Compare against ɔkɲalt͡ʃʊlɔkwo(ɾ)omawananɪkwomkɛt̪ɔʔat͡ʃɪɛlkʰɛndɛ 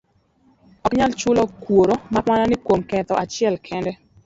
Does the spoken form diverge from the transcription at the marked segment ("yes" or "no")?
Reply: no